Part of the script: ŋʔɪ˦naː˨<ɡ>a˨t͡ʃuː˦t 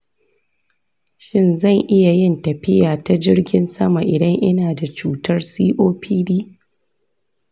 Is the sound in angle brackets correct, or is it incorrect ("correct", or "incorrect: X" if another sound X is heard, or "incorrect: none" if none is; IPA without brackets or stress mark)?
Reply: incorrect: d